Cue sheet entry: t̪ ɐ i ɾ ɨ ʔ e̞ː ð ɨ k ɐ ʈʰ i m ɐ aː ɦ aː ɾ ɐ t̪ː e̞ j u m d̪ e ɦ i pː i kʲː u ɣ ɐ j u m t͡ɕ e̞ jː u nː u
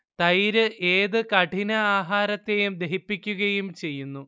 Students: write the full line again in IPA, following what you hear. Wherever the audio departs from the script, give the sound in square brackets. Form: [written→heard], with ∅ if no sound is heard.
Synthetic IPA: t̪ ɐ [i→j] ɾ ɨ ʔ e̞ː ð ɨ k ɐ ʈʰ i [m→n] ɐ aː ɦ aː ɾ ɐ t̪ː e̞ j u m d̪ e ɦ i pː i kʲː u ɣ ɐ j u m t͡ɕ e̞ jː u nː u